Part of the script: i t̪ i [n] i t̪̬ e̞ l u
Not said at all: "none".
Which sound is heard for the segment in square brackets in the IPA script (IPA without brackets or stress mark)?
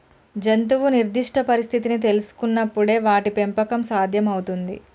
n